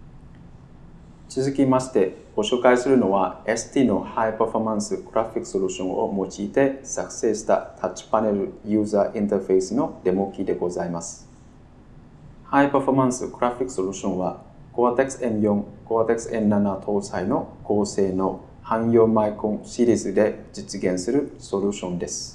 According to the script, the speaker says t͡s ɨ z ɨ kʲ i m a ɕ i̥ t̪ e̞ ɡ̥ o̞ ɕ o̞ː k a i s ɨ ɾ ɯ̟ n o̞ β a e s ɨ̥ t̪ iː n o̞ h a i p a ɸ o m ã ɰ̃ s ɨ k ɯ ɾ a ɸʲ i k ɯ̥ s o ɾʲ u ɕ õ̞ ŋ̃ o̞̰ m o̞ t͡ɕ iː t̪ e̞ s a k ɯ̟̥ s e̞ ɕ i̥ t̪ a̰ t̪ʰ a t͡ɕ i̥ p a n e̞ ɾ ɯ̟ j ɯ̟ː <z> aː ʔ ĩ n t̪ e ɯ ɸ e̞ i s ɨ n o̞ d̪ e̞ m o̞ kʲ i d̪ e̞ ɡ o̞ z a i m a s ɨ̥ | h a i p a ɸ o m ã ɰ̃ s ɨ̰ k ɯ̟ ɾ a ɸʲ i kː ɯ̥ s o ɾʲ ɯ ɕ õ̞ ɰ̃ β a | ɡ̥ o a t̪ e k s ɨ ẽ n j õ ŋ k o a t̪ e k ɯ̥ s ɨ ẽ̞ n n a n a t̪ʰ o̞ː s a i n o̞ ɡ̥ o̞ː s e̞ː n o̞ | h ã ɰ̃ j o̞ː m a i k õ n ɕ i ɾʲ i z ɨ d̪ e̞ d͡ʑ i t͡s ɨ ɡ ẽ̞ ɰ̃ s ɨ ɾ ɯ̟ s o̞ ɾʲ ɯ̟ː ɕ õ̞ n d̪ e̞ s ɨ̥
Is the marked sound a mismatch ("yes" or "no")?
no